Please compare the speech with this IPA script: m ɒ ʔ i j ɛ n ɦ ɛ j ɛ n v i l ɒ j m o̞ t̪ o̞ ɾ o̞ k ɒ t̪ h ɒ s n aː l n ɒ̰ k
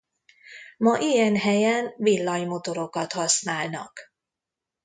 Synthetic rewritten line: m ɒ ʔ i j ɛ n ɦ ɛ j ɛ n v i lː ɒ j m o̞ t̪ o̞ ɾ o̞ k ɒ t̪ h ɒ s n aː l n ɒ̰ k